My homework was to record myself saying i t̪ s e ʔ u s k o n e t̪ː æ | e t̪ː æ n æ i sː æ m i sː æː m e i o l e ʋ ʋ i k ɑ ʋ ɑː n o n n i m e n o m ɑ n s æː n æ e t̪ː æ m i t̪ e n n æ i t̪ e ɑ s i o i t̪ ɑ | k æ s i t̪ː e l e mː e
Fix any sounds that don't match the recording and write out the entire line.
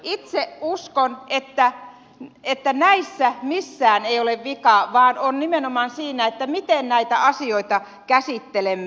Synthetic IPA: i t̪ s e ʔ u s k o n e t̪ː æ | e t̪ː æ n æ i sː æ m i sː æː n e i o l e ʋ ʋ i k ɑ ʋ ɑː n o n n i m e n o m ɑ n s iː n æ e t̪ː æ m i t̪ e n n æ i t̪ æ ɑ s i o i t̪ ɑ | k æ s i t̪ː e l e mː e